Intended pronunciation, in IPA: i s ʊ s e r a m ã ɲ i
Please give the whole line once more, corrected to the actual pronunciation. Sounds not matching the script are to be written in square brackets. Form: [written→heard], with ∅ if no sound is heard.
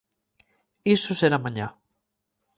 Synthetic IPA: i s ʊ s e [r→ɾ] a m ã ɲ [i→a]